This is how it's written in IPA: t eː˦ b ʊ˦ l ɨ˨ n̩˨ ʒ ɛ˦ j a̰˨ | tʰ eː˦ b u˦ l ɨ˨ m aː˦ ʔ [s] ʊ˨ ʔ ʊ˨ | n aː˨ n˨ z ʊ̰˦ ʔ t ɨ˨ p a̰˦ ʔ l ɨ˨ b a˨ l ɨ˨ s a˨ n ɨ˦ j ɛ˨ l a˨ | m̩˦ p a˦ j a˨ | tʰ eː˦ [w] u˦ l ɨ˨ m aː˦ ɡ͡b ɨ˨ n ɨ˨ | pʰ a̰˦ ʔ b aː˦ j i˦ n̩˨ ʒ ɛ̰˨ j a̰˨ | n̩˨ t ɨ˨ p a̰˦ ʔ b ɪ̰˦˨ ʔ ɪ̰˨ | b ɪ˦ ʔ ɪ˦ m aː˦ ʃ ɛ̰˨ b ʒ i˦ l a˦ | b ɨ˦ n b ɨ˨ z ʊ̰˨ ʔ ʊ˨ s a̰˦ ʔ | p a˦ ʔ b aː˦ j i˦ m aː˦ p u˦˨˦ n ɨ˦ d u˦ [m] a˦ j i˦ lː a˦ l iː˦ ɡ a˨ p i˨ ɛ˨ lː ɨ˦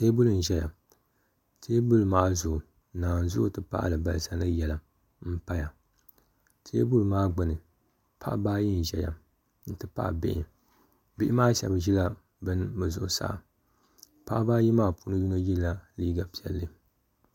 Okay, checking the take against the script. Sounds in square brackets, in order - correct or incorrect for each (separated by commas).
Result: incorrect, incorrect, incorrect